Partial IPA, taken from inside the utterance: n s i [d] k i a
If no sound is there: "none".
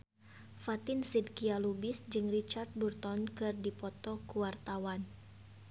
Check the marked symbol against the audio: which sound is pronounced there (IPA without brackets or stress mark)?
d